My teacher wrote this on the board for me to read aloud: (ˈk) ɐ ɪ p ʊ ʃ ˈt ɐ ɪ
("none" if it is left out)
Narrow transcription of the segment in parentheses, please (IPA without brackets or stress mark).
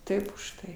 t